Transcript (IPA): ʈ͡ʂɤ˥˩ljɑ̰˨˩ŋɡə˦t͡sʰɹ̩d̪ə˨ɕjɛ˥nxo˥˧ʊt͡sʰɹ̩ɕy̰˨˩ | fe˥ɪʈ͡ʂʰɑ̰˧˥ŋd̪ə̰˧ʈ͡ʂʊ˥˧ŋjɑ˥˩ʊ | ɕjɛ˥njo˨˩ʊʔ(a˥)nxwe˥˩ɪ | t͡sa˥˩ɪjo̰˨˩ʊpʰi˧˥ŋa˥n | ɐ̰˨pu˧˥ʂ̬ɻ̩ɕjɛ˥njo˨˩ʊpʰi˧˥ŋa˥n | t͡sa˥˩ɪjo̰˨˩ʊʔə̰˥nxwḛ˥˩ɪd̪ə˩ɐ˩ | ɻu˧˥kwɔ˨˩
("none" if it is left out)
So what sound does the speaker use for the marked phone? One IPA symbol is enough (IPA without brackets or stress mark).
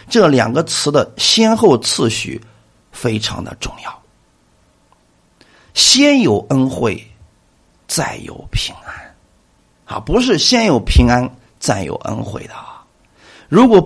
ə˥